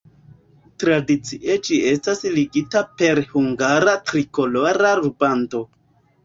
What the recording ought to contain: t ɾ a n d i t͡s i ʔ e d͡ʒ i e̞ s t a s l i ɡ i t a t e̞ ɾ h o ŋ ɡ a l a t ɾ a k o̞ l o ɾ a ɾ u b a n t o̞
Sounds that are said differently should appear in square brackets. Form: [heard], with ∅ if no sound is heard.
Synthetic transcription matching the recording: t ɾ a [∅] d i t͡s i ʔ e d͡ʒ i e̞ s t a s l i ɡ i t a [p] e̞ ɾ h [u] ŋ ɡ a [ɾ] a t ɾ [i] k o̞ l o ɾ a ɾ u b a n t o̞